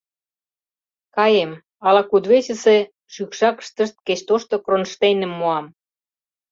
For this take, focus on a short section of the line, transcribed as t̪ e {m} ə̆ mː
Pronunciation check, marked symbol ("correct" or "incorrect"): incorrect